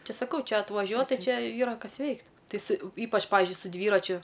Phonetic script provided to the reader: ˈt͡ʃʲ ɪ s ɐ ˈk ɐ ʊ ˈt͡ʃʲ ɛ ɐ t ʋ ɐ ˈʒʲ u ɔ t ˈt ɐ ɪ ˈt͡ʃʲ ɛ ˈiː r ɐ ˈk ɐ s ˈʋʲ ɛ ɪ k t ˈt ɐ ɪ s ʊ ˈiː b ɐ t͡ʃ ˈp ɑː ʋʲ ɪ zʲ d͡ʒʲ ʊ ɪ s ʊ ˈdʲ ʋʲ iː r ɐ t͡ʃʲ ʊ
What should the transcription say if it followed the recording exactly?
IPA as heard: ˈt͡ʃʲ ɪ s ɐ ˈk ɐ ʊ ˈt͡ʃʲ ɛ ɐ t ʋ ɐ ˈʒʲ u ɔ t ˈt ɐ ɪ ˈt͡ʃʲ ɛ ˈiː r ɐ ˈk ɐ s ˈʋʲ ɛ ɪ k t ˈt ɐ ɪ s ʊ ˈiː p ɐ t͡ʃ ˈp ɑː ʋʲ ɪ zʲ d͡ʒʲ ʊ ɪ s ʊ ˈdʲ ʋʲ iː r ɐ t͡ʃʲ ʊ